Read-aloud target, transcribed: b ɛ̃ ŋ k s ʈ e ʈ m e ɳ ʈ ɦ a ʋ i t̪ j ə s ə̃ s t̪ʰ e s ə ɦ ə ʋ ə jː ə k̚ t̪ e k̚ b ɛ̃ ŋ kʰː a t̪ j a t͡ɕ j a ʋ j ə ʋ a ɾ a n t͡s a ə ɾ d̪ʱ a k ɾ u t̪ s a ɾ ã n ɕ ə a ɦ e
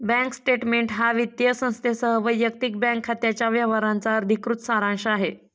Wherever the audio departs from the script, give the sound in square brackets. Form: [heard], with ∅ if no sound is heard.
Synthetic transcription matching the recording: b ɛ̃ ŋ k s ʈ e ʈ m e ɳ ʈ ɦ a ʋ i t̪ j ə s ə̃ s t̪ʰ e s ə ɦ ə ʋ ə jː ə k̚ t̪ [i] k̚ b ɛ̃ ŋ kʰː a t̪ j a t͡ɕ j a ʋ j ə ʋ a ɾ a n t͡s a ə ɾ d̪ʱ [i] k ɾ u t̪ s a ɾ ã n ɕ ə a ɦ e

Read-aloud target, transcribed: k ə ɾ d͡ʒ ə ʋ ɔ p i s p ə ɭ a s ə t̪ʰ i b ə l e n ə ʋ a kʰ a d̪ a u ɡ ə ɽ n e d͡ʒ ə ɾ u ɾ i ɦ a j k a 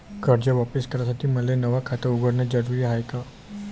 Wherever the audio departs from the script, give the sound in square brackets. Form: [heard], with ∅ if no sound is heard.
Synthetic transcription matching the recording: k ə ɾ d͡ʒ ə ʋ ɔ p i s [k] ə [ɾ] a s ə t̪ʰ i [m] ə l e n ə ʋ a kʰ a [t̪] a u ɡ ə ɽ n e d͡ʒ ə ɾ u ɾ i ɦ a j k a

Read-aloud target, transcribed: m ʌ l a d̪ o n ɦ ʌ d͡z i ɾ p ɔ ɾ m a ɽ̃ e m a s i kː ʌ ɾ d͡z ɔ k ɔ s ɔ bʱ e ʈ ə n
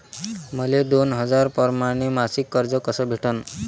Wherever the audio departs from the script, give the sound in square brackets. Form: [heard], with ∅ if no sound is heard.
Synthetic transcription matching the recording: m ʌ l [e] d̪ o n ɦ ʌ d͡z [a] ɾ p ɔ ɾ m a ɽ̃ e m a s i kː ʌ ɾ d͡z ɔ k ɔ s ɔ bʱ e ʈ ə n

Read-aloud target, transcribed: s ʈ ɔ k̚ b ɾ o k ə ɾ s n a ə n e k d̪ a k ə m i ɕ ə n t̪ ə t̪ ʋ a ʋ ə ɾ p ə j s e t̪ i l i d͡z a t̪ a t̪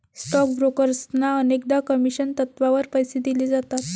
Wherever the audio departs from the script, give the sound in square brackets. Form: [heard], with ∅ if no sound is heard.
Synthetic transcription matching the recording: s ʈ ɔ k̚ b ɾ o k ə ɾ s n a ə n e k d̪ a k ə m i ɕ ə n t̪ ə t̪ ʋ a ʋ ə ɾ p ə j s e [d̪] i l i d͡z a t̪ a t̪

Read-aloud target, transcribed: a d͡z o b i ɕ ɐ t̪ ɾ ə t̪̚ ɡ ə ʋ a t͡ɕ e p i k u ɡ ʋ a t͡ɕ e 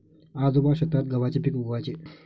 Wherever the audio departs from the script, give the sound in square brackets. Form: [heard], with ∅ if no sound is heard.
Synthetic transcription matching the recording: a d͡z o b [a] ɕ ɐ t̪ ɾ [a] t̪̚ ɡ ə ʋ a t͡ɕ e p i k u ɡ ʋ a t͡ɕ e

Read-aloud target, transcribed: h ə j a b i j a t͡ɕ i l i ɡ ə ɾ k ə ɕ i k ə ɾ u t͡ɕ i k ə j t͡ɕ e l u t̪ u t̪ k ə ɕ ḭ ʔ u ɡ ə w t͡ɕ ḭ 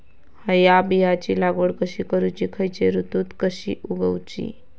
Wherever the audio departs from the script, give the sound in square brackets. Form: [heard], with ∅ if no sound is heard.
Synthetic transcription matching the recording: h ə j a b i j a t͡ɕ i l [a] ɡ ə [ɽ] k ə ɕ i k ə ɾ u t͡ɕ i [kʰ] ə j t͡ɕ e [ɾ] u t̪ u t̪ k ə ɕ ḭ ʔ u ɡ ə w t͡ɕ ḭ

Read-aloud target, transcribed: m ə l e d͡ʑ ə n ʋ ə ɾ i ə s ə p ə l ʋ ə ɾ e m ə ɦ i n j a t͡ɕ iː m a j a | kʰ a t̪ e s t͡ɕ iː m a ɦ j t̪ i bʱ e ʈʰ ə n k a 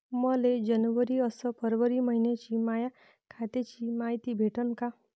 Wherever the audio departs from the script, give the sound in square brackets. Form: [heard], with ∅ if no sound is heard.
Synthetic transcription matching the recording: m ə l e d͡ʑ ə n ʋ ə ɾ i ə s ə p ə [ɾ] ʋ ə ɾ [i] m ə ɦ i n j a t͡ɕ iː m a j a | kʰ a t̪ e [∅] t͡ɕ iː m a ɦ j t̪ i bʱ e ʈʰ ə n k a

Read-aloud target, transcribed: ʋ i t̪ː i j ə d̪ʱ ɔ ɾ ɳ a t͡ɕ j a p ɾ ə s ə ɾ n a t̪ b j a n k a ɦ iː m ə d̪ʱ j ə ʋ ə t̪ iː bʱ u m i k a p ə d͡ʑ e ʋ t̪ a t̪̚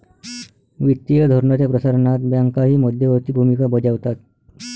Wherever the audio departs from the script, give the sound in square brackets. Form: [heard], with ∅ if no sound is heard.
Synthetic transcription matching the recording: ʋ i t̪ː i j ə d̪ʱ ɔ ɾ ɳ a t͡ɕ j a p ɾ ə s [a] ɾ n a t̪ b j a [ŋ] k a ɦ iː m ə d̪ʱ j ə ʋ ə t̪ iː bʱ u m i k a [b] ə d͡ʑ [a] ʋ t̪ a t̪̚

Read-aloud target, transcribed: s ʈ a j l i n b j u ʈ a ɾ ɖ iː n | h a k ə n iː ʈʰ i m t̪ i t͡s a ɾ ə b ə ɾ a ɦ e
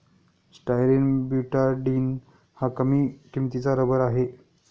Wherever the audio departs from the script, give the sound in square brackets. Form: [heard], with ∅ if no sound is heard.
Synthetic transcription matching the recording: s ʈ a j [ɾ] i n b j u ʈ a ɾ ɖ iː n | h a k ə [m] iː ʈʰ i m t̪ i t͡s a ɾ ə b ə ɾ a ɦ e

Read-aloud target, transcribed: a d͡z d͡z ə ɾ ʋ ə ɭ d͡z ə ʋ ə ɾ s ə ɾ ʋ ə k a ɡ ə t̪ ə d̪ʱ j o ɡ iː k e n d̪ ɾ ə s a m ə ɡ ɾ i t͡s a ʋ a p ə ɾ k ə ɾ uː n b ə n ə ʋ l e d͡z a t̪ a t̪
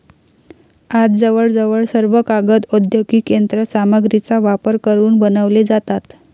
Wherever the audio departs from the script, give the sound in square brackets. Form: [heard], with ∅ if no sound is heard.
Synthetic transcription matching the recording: a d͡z d͡z ə [∅] ʋ ə ɭ d͡z ə ʋ ə [ɭ] s ə ɾ ʋ ə k a ɡ ə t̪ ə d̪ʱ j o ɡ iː k e n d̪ ɾ ə s a m ə ɡ ɾ i t͡s a ʋ a p ə ɾ k ə ɾ uː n b ə n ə ʋ l e d͡z a t̪ a t̪

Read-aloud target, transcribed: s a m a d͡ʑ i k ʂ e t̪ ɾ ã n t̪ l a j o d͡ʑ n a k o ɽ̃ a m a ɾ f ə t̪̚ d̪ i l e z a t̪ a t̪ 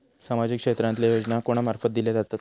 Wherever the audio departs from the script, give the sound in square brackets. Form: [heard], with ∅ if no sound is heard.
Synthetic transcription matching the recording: s a m a d͡ʑ i k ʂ e t̪ ɾ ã n t̪ l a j o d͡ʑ n a k o ɽ̃ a m a ɾ f ə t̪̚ d̪ i l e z a t̪ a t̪

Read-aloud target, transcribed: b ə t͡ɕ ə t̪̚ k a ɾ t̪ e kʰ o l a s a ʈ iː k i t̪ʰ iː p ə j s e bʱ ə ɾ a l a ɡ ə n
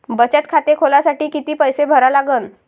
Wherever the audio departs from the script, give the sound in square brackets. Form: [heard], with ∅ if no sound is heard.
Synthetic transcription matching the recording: b ə t͡ɕ ə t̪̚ [kʰ] a [∅] t̪ e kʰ o l a s a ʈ iː k i [t̪] iː p ə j s e bʱ ə ɾ a l a ɡ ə n

